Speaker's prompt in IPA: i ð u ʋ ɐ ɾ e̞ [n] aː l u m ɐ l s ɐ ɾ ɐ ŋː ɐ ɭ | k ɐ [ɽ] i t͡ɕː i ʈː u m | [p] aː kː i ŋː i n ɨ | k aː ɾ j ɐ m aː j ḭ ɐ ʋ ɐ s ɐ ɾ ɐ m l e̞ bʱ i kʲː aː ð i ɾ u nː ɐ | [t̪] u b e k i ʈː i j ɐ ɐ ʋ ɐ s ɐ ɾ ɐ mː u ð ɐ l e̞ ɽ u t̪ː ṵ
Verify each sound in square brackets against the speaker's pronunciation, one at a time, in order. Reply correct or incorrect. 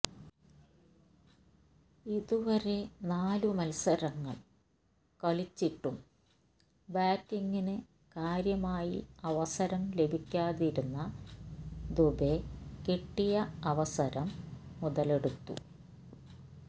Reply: correct, incorrect, incorrect, incorrect

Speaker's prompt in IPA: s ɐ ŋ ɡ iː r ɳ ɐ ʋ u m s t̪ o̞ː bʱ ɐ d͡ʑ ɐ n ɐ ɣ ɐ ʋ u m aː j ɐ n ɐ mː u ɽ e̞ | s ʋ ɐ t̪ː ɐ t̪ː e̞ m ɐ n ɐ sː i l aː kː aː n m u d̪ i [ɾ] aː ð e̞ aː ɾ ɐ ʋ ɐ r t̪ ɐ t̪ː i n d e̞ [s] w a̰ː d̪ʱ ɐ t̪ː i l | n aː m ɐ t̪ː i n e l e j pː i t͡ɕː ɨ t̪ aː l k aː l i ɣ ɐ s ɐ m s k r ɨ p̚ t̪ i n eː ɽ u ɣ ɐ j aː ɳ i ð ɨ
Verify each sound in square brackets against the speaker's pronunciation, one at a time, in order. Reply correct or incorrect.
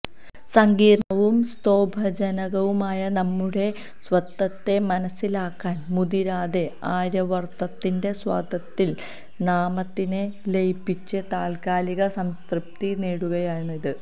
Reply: correct, correct

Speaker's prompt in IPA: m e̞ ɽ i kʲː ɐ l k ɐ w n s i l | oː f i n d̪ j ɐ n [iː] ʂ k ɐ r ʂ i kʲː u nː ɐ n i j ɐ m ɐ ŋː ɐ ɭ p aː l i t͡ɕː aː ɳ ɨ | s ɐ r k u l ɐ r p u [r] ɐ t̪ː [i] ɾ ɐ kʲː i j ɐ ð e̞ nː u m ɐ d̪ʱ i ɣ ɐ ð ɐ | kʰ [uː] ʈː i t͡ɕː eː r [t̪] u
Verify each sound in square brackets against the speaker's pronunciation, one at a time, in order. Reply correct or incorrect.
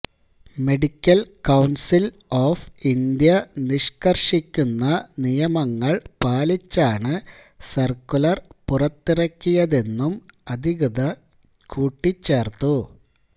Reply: incorrect, correct, correct, correct, correct

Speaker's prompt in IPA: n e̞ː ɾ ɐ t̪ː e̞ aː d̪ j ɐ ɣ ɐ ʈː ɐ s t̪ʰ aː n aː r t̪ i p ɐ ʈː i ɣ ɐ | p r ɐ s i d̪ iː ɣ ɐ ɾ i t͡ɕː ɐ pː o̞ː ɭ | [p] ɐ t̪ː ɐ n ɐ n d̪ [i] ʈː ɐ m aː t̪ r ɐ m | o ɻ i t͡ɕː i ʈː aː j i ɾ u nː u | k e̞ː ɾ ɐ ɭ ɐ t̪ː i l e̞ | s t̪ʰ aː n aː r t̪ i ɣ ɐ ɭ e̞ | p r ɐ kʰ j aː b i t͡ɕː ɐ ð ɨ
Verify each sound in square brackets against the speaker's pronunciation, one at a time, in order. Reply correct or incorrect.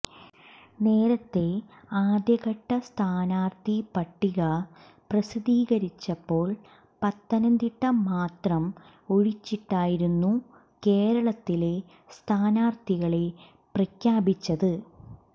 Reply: correct, correct

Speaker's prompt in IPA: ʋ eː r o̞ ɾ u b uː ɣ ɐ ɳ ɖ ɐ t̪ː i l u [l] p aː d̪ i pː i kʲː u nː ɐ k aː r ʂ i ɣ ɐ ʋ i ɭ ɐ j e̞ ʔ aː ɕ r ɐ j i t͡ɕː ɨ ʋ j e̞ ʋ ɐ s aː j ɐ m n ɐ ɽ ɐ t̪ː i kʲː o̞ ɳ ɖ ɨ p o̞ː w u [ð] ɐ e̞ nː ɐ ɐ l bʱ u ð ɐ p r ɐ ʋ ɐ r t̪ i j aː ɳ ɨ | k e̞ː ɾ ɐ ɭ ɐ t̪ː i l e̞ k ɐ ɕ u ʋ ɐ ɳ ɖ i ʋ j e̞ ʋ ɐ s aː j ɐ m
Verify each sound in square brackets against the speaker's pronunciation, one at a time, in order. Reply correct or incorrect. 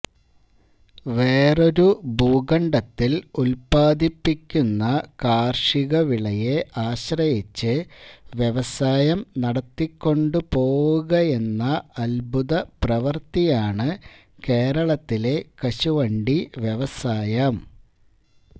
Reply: correct, incorrect

